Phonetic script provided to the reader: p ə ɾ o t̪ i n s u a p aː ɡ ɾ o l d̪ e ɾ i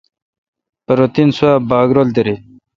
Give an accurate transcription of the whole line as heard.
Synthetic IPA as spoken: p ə ɾ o t̪ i n s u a b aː ɡ ɾ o l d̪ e ɾ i